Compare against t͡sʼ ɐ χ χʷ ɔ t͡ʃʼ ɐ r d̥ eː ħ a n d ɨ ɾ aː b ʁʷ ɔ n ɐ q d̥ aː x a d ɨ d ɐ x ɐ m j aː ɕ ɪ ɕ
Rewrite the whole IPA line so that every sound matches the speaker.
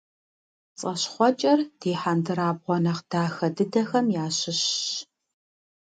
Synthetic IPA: t͡sʼ ɐ ɕ χʷ ɔ t͡ʃʼ ɐ r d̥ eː ħ a n d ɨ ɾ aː b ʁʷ ɔ n ɐ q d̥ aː x ɐ d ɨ d ɐ x ɐ m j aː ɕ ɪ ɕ